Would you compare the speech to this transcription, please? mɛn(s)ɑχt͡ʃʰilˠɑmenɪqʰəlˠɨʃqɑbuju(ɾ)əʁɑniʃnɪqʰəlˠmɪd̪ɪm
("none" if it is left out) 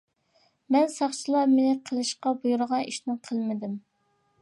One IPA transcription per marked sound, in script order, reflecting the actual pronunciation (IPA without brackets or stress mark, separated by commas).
s, ɾ